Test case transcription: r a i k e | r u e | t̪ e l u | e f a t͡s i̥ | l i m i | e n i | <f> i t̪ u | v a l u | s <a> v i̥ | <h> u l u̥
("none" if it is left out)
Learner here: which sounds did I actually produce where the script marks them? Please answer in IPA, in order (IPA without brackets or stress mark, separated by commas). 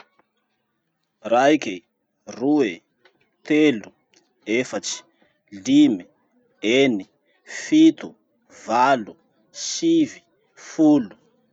f, i, f